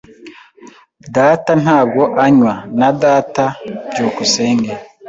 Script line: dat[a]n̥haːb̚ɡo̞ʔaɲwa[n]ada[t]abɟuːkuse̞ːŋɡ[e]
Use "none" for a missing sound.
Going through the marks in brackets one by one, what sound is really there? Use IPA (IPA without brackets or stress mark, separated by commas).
a, n, t, e